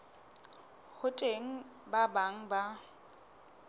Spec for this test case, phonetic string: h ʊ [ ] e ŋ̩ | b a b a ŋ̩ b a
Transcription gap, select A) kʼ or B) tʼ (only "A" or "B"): B